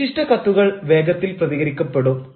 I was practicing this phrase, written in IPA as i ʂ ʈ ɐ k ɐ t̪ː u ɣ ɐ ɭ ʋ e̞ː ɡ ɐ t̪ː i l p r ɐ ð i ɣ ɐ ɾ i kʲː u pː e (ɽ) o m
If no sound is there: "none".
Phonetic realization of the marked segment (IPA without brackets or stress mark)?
ɽ